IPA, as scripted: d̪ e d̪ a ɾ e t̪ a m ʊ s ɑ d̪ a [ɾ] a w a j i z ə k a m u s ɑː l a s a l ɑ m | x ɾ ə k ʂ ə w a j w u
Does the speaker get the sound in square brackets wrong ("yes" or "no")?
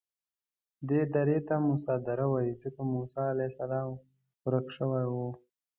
no